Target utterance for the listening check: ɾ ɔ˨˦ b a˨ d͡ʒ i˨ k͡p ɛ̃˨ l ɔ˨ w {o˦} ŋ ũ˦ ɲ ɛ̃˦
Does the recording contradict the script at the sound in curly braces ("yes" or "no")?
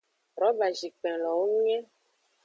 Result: no